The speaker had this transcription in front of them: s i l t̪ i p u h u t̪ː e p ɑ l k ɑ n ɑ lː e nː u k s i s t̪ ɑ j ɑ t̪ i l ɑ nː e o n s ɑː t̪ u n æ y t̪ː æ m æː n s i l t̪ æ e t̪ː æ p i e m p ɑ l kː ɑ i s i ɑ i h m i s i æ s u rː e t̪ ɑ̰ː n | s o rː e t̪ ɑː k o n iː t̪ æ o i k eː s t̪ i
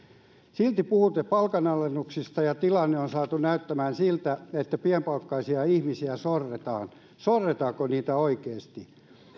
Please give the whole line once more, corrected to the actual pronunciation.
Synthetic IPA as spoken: s i l t̪ i p u h u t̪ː e p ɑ l k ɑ n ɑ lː e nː u k s i s t̪ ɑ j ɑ t̪ i l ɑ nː e o n s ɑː t̪ u n æ y t̪ː æ m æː n s i l t̪ æ e t̪ː æ p i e m p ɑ l kː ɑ i s i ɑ i h m i s i æ s o rː e t̪ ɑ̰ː n | s o rː e t̪ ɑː k o n iː t̪ æ o i k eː s t̪ i